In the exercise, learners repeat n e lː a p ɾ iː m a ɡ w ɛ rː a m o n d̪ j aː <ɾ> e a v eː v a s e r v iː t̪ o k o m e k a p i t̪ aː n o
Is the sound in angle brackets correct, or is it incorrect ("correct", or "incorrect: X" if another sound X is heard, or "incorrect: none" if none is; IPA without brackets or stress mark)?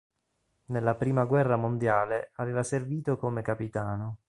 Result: incorrect: l